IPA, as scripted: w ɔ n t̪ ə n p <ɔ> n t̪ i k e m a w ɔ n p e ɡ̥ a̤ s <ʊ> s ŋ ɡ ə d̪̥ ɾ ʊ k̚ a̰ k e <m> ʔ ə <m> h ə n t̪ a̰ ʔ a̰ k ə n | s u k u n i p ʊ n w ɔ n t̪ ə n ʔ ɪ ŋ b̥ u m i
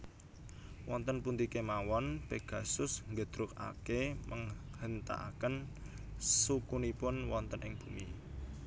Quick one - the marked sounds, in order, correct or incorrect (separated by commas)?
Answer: incorrect, correct, correct, incorrect